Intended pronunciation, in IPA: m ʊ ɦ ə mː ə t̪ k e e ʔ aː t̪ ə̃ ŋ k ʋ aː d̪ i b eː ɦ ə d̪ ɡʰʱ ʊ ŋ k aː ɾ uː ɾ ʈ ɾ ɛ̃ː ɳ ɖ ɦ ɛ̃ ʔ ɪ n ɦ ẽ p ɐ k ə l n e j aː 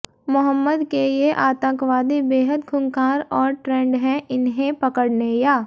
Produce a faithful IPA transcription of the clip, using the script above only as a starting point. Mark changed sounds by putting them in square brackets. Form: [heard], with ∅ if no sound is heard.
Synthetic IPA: m ʊ ɦ ə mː ə [d̪] k e e ʔ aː t̪ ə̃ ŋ k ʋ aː d̪ i b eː ɦ ə d̪ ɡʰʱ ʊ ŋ k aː ɾ [ɔː] ɾ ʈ ɾ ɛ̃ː ɳ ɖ ɦ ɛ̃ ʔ ɪ n ɦ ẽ p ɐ k ə [ɽ] n e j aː